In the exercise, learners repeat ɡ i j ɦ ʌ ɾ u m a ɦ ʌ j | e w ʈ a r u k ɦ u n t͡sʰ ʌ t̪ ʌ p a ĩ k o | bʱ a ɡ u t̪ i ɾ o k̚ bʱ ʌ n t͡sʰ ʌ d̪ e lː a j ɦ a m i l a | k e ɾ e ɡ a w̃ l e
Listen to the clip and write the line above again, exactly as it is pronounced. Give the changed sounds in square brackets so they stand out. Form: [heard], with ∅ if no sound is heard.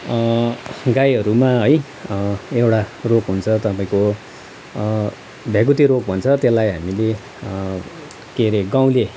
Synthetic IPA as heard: ɡ [a] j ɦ ʌ ɾ u m a ɦ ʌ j | e w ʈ a r [o] k ɦ u n t͡sʰ ʌ t̪ ʌ p a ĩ k o | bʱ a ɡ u t̪ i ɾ o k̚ bʱ ʌ n t͡sʰ ʌ [t̪] e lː a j ɦ a m i l [e] | k e ɾ e ɡ a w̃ l e